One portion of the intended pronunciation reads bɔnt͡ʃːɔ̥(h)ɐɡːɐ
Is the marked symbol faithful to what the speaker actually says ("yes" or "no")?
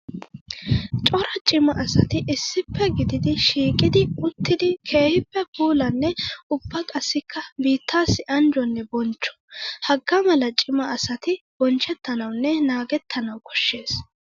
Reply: yes